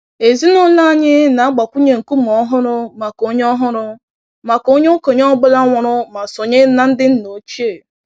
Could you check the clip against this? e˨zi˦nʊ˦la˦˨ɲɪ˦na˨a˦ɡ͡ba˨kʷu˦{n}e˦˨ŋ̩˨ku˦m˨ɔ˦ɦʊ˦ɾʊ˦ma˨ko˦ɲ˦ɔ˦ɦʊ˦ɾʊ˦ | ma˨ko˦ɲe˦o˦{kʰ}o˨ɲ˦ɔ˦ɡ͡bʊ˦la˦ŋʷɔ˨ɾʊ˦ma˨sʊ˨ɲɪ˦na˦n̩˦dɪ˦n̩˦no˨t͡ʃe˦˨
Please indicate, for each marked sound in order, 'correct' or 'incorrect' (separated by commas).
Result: incorrect, incorrect